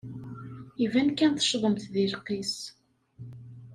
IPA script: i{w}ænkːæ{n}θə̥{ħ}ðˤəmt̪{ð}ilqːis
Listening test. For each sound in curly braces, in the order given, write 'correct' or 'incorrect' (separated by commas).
incorrect, correct, incorrect, correct